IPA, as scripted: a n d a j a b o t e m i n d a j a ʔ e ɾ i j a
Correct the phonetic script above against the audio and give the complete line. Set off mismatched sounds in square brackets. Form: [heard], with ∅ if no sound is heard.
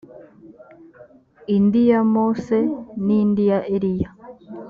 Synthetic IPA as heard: [i] n d [i] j a [m] o [s] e [n] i n d [i] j a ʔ e ɾ i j a

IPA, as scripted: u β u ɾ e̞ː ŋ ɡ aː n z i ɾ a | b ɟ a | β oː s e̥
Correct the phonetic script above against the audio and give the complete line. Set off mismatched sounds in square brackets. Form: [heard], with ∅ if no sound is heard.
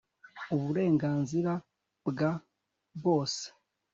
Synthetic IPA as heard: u β u ɾ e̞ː ŋ ɡ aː n z i ɾ a | b [ɡ] a | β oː s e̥

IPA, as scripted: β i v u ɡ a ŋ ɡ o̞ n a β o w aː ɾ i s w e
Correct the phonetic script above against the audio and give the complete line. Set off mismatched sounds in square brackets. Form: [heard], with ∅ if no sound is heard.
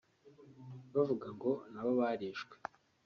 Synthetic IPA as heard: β [a] v u ɡ a ŋ ɡ o̞ n a β o [β] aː ɾ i [ʃ] w e

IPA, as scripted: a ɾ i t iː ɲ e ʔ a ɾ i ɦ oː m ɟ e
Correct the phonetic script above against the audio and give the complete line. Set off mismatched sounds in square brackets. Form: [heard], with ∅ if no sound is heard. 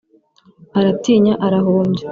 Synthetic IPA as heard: a ɾ [a] t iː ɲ [a] ʔ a ɾ [a] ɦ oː m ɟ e

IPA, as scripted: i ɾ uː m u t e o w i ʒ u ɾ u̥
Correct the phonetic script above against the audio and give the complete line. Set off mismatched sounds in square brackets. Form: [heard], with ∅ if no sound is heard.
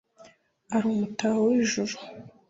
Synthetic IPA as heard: [a] ɾ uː m u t [a] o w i ʒ u ɾ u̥

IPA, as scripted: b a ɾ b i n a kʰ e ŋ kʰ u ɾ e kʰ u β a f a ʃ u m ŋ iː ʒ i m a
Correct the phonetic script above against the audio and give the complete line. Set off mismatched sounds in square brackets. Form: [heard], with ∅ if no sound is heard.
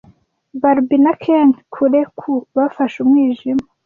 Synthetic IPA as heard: b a ɾ b i n a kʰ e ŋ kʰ u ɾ e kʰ u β a f a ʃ u m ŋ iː ʒ i m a

